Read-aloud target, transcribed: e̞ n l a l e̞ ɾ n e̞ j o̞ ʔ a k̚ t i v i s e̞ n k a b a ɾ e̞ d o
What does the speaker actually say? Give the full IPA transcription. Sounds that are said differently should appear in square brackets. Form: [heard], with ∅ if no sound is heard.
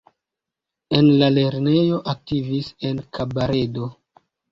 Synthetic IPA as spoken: e̞ n l a l e̞ ɾ n e̞ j o̞ ʔ a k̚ t i v i s e̞ n k a b a ɾ e̞ d o